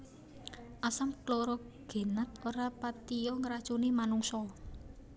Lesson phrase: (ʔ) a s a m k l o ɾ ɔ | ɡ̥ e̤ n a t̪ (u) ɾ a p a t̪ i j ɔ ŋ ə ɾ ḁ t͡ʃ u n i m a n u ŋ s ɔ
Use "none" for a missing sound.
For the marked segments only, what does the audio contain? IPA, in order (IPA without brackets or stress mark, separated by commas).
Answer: ʔ, o